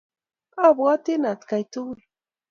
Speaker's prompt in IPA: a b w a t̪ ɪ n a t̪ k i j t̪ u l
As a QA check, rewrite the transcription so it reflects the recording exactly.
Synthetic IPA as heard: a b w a t̪ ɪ n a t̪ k a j t̪ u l